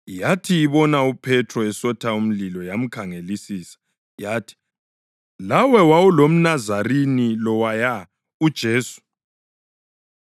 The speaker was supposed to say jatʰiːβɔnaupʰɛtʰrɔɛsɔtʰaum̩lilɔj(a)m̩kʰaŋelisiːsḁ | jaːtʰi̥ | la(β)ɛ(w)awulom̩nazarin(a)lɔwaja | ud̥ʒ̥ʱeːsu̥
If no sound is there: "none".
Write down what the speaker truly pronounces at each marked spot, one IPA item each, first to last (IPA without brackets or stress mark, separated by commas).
a, w, w, i